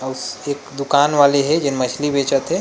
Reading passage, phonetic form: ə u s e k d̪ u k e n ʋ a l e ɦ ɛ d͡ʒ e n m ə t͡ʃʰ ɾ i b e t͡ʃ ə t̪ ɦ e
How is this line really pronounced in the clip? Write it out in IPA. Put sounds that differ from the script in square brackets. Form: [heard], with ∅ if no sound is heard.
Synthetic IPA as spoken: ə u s e k d̪ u k [a] n ʋ a l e ɦ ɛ d͡ʒ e n m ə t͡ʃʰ [l] i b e t͡ʃ ə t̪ ɦ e